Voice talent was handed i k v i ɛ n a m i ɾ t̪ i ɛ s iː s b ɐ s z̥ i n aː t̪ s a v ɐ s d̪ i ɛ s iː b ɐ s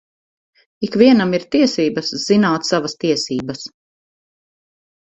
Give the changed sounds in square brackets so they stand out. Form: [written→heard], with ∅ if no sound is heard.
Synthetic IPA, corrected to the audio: i k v i ɛ n a m i ɾ t̪ i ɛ s iː [s→∅] b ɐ s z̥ i n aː t̪ s a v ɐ s [d̪→t̪] i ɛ s iː b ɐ s